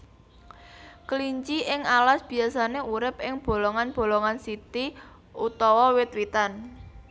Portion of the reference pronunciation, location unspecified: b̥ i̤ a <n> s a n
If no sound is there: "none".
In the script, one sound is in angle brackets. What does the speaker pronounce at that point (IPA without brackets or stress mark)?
none